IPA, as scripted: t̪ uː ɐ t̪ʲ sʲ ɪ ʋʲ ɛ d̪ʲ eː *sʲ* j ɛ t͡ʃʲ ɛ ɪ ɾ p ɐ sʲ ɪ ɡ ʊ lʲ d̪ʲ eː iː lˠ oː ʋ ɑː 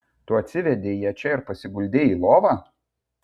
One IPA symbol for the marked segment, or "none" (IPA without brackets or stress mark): none